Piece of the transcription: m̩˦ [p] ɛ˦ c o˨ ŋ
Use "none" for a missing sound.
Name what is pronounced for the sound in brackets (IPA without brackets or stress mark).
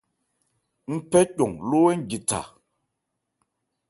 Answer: p